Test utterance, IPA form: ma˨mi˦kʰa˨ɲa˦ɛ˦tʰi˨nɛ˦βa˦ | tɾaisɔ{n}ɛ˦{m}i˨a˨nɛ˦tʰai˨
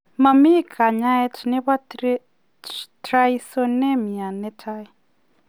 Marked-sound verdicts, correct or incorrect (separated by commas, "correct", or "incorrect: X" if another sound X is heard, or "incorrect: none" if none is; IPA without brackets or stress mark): correct, correct